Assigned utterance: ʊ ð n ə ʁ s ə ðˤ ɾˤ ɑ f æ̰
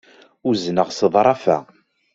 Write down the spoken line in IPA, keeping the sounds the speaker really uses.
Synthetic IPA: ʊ z n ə ʁ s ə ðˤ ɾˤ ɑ f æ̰